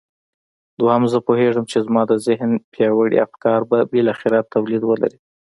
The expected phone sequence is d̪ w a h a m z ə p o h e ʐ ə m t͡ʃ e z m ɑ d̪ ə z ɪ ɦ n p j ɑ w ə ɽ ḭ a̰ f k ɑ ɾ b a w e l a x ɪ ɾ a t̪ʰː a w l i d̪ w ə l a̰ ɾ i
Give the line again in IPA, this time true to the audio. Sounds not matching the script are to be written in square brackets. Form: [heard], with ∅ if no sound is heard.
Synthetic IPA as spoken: d̪ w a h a m z ə p o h e ʐ ə m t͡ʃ e z m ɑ d̪ ə z ɪ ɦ n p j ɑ w ə ɽ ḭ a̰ f k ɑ ɾ b a [b] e l a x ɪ ɾ a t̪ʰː a w l i d̪ w ə l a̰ ɾ i